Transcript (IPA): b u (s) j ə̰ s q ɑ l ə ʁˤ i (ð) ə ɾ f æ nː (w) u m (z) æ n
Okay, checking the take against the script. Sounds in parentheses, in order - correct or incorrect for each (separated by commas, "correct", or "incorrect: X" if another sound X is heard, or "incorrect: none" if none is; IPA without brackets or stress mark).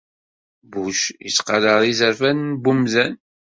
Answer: incorrect: ʃ, incorrect: z, incorrect: b, correct